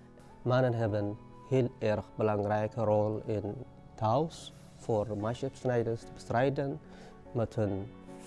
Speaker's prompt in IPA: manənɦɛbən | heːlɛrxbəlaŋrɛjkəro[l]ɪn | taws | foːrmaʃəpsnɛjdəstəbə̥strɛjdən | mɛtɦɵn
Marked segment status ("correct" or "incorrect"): correct